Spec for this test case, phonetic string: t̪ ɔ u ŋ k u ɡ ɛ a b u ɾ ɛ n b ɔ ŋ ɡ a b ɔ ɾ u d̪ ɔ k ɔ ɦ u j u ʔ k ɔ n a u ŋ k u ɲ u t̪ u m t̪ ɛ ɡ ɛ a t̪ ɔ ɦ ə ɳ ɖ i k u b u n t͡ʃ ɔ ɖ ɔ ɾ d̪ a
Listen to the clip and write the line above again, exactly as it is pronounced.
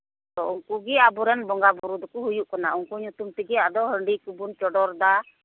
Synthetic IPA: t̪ ɔ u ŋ k u ɡ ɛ a b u ɾ ɛ n b ɔ ŋ ɡ a b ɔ ɾ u d̪ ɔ k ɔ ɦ u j u ʔ k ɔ n a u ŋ k u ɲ u t̪ u m t̪ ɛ ɡ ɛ a d̪ ɔ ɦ ə ɳ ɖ i k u b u n t͡ʃ ɔ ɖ ɔ ɾ d̪ a

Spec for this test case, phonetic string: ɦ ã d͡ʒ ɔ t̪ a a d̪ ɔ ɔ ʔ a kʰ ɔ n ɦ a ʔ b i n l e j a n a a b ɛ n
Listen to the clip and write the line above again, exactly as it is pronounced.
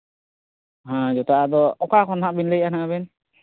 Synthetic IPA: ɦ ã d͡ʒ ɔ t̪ a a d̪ ɔ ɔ k a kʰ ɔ n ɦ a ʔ b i n l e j a n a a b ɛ n

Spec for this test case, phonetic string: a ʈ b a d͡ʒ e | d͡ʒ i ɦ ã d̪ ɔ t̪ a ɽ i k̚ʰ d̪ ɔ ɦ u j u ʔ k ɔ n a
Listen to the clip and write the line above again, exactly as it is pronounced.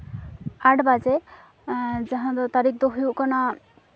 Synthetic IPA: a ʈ b a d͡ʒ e | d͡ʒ a ɦ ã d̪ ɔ t̪ a ɾ i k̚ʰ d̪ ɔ ɦ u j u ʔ k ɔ n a

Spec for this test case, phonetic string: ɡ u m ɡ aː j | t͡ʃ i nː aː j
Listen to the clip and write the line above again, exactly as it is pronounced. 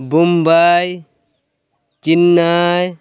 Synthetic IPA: b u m b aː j | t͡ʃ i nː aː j

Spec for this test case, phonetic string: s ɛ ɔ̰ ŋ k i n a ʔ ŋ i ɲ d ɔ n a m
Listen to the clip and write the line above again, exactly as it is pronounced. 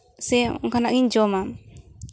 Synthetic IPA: s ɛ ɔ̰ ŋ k a n a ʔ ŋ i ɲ d͡ʒ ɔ m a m

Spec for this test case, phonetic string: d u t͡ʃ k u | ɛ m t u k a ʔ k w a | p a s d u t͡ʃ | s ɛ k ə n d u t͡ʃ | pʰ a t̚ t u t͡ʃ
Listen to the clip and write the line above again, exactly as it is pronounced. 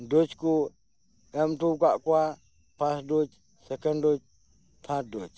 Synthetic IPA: d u t͡ʃ k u | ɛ m t u k a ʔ k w a | p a s d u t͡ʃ | s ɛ k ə n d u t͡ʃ | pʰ a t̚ d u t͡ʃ

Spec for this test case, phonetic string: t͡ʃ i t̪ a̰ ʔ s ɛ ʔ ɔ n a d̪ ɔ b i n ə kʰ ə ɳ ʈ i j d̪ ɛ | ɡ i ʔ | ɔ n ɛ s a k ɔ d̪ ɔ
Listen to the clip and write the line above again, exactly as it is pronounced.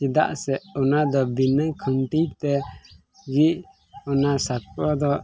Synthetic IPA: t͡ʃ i d̪ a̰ ʔ s ɛ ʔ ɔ n a d̪ ɔ b i n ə kʰ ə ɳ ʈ i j t̪ ɛ | ɡ i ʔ | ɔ n a s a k ɔ d̪ ɔ

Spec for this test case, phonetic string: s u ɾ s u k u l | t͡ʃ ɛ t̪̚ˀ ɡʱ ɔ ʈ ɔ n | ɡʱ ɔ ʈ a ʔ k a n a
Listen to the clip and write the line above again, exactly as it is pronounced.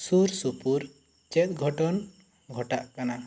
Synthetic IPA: s u ɾ s u p u ɾ | t͡ʃ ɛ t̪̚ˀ ɡʱ ɔ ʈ ɔ n | ɡʱ ɔ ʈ a ʔ k a n a

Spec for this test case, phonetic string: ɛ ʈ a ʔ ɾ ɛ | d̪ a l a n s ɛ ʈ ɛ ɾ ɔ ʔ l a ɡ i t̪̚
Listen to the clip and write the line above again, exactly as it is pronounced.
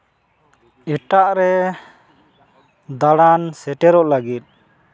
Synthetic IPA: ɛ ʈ a ʔ ɾ ɛ | d̪ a ɽ a n s ɛ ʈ ɛ ɾ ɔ ʔ l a ɡ i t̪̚

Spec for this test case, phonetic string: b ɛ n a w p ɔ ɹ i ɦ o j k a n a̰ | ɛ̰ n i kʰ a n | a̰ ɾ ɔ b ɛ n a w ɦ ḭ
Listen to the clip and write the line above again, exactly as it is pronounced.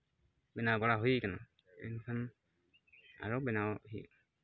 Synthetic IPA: b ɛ n a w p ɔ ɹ a ɦ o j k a n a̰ | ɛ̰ n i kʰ a n | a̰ ɹ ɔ b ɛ n a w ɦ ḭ

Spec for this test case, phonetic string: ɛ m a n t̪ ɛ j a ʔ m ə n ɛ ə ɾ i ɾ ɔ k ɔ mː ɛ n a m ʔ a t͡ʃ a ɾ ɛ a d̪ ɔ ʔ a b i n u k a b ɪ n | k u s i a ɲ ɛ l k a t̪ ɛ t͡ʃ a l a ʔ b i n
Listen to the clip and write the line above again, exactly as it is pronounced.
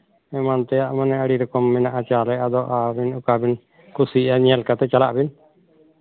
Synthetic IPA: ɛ m a n t̪ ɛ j a ʔ m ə n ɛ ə ɽ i ɾ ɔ k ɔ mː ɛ n a ʔ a t͡ʃ a l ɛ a d̪ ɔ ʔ a b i n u k a b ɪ n | k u s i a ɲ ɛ l k a t̪ ɛ t͡ʃ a l a ʔ b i n

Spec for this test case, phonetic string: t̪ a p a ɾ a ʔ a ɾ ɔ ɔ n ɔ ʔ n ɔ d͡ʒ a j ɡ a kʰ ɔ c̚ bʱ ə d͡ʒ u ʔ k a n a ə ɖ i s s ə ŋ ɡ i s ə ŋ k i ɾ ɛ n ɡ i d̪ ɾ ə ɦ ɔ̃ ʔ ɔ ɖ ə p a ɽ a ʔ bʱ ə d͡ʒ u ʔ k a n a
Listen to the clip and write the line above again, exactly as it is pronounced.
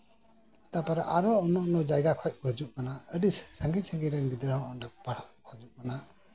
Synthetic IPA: t̪ a p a ɾ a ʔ a ɾ ɔ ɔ n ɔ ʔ n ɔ d͡ʒ a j ɡ a kʰ ɔ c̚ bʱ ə d͡ʒ u ʔ k a n a ə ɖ i s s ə ŋ ɡ i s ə ŋ ɡ i ɾ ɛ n ɡ i d̪ ɾ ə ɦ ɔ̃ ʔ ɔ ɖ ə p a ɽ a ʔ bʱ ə d͡ʒ u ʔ k a n a

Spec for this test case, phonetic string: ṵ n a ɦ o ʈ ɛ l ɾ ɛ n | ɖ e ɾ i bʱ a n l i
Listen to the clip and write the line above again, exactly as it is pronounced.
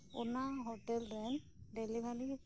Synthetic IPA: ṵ n a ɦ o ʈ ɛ l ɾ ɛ n | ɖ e l i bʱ a l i

